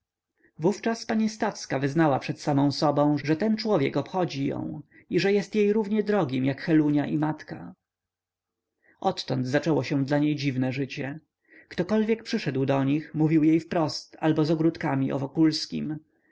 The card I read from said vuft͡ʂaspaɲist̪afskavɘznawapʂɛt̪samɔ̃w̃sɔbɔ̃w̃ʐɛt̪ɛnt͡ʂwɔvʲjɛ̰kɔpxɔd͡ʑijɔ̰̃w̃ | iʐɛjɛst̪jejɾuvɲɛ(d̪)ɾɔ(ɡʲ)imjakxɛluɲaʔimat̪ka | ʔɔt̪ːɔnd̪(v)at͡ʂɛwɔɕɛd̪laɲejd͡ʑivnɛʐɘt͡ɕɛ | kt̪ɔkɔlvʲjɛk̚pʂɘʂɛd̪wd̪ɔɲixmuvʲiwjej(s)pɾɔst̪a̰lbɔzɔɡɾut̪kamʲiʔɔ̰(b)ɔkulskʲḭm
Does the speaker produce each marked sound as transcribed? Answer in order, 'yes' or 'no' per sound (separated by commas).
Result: yes, yes, no, no, no